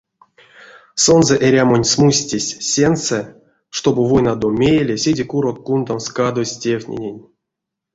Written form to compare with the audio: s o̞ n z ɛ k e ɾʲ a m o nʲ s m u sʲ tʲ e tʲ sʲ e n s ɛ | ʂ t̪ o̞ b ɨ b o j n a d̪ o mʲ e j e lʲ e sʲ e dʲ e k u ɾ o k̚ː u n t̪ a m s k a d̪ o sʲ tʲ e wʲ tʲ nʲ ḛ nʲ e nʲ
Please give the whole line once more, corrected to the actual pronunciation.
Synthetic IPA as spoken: s o̞ n z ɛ ʔ e ɾʲ a m o nʲ s m u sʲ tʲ e sʲ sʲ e n s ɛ | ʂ t̪ o̞ b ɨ v o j n a d̪ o mʲ e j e lʲ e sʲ e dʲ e k u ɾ o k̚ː u n d̪ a m s k a d̪ o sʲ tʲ e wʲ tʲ nʲ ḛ nʲ e nʲ

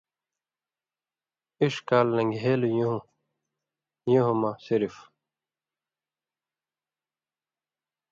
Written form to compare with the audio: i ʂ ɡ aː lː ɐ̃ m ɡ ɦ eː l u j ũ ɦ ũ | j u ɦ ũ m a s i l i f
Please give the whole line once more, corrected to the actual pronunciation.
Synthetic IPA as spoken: i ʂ k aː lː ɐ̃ ŋ ɡ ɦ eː l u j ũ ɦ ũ | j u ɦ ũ m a s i ɾ i f

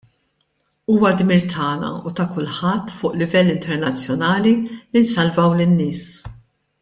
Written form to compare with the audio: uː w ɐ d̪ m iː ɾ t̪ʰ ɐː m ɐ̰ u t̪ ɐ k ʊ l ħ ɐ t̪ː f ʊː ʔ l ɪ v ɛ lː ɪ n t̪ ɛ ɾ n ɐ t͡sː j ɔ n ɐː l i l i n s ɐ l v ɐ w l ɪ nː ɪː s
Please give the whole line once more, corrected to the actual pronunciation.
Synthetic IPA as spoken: uː w ɐ d̪ m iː ɾ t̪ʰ ɐː n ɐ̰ u t̪ ɐ k ʊ l ħ ɐ t̪ː f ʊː ʔ l ɪ v ɛ lː ɪ n t̪ ɛ ɾ n ɐ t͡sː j ɔ n ɐː l i l i n s ɐ l v ɐ w l ɪ nː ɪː s

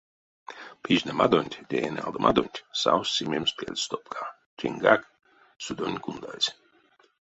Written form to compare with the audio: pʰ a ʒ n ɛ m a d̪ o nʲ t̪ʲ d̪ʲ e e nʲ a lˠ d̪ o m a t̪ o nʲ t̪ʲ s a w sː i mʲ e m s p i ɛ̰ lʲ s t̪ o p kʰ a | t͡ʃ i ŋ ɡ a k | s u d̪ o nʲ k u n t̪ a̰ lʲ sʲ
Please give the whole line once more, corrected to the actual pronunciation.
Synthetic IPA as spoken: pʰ i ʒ n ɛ m a d̪ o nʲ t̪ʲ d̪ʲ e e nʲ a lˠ d̪ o m a d̪ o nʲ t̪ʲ s a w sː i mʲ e m s p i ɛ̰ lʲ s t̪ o p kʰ a | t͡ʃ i ŋ ɡ a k | s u d̪ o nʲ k u n d̪ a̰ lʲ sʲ

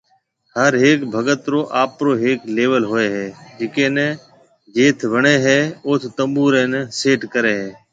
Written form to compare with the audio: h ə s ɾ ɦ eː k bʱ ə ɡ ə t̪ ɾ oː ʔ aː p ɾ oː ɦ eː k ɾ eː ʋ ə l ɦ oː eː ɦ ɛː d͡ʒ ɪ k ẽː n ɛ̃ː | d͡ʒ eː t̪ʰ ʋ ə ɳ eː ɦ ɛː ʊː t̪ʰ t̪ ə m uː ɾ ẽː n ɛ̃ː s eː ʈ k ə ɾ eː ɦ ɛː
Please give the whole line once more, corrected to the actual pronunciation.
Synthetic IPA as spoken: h ə ɾ ɦ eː k bʱ ə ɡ ə t̪ ɾ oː ʔ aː p ɾ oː ɦ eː k l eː ʋ ə l ɦ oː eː ɦ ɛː d͡ʒ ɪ k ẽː n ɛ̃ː | d͡ʒ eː t̪ʰ ʋ ə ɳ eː ɦ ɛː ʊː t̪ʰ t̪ ə m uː ɾ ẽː n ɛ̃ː s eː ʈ k ə ɾ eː ɦ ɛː

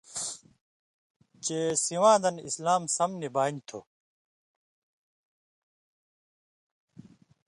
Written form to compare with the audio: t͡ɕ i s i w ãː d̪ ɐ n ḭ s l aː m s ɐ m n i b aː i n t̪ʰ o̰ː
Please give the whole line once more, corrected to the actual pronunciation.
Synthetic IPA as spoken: t͡ɕ e s i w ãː d̪ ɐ n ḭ s l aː m s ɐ m n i b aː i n t̪ʰ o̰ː

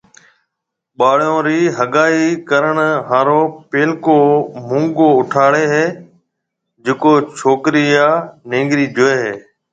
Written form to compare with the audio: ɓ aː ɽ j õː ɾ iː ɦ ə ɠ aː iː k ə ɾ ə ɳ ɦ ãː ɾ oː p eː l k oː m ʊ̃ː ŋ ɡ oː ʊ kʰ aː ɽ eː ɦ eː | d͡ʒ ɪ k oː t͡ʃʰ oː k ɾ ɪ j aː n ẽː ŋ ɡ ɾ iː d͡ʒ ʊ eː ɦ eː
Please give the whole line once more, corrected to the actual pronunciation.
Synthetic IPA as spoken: ɓ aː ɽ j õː ɾ iː ɦ ə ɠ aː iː k ə ɾ ə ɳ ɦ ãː ɾ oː p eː l k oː m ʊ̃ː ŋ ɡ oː ʊ ʈʰ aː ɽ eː ɦ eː | d͡ʒ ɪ k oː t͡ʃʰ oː k ɾ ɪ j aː n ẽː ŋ ɡ ɾ iː d͡ʒ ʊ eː ɦ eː

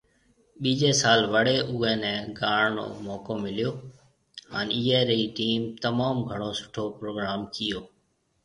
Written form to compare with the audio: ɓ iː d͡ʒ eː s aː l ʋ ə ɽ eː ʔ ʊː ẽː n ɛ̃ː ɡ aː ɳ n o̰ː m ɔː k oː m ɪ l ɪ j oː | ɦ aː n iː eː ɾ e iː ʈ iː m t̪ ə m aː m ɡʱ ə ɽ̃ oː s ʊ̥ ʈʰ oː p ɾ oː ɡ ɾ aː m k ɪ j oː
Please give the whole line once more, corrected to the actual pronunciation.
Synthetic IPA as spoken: ɓ iː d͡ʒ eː s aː l ʋ ə ɽ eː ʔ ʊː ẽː n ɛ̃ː ɡ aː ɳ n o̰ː m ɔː k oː m ɪ l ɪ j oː | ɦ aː n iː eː ɾ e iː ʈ iː m t̪ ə m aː m ɡʱ ə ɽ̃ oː s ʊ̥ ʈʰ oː p ɾ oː ɡ ɾ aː m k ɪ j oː

